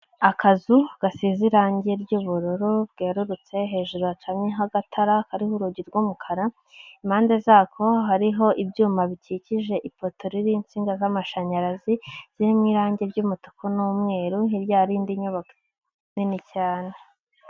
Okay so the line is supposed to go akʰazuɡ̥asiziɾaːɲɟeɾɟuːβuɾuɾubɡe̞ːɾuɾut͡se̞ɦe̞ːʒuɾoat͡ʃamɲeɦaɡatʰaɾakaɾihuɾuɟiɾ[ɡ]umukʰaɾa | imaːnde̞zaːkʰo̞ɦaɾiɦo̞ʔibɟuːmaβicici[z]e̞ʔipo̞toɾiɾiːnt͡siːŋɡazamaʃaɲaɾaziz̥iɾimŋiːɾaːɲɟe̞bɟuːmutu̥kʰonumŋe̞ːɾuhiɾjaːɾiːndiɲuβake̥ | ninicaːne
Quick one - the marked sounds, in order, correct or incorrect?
correct, incorrect: ʒ

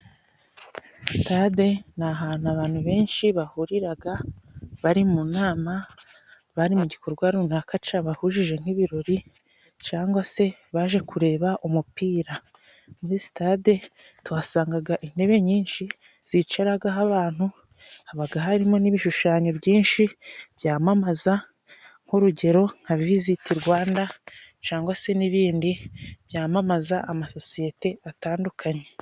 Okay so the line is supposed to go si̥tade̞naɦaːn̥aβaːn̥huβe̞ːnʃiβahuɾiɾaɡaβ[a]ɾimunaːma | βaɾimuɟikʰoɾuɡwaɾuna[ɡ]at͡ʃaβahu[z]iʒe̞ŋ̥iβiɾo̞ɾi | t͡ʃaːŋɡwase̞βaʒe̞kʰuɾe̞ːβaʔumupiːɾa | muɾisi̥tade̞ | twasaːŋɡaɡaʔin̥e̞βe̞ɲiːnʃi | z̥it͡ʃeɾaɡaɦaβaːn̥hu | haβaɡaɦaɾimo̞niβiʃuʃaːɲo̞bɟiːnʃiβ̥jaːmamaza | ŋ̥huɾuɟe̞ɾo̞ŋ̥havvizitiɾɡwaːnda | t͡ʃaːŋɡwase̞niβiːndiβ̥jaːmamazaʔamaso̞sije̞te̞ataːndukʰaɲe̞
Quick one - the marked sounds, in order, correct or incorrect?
correct, incorrect: k, incorrect: ʒ

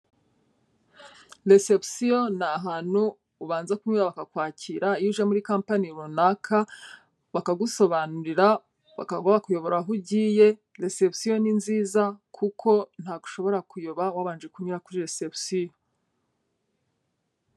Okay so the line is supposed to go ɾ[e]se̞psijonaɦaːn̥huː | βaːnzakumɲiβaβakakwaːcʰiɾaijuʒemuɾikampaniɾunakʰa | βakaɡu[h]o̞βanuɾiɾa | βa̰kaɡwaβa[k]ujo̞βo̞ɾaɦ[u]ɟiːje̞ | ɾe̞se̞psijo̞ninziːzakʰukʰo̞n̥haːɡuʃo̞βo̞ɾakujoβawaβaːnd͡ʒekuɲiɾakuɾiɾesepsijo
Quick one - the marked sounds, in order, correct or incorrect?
correct, incorrect: s, correct, correct

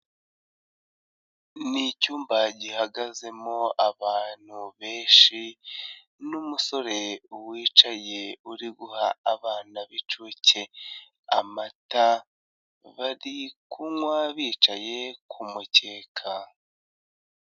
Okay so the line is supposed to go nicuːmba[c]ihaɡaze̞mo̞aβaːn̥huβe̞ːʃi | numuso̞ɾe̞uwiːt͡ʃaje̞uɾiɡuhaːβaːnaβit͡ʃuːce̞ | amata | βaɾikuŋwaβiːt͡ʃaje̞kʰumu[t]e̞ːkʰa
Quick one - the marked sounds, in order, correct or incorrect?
incorrect: ɟ, incorrect: c

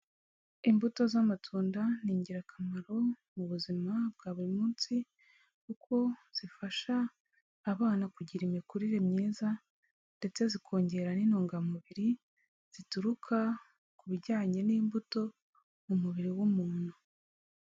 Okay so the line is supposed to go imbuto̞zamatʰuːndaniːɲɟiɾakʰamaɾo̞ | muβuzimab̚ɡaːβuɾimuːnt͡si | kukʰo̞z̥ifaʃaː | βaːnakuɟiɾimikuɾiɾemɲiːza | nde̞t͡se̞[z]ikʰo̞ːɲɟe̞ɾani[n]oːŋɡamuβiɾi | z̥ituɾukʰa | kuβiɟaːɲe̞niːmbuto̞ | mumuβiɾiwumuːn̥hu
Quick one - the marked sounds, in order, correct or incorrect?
correct, correct

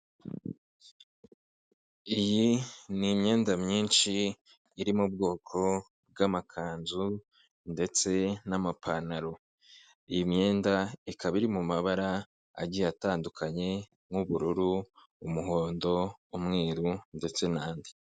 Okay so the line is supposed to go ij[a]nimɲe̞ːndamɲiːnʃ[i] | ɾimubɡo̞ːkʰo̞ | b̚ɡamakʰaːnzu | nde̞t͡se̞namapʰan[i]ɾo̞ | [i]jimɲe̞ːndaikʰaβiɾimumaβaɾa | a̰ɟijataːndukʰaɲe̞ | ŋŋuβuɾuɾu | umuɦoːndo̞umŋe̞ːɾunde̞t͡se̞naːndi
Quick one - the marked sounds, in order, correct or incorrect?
incorrect: i, incorrect: iː, incorrect: a, correct

